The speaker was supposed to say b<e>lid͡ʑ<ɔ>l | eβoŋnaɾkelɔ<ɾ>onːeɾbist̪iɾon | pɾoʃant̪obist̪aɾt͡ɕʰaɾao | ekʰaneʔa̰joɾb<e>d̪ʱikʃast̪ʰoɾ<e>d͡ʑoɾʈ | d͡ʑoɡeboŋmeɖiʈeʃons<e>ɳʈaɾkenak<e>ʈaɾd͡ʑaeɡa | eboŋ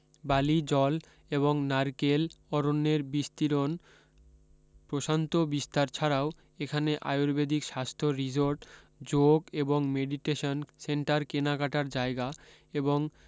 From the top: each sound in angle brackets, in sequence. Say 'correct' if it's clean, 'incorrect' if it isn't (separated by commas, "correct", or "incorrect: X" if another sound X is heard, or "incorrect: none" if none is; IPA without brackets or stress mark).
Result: incorrect: a, correct, correct, correct, incorrect: i, correct, incorrect: a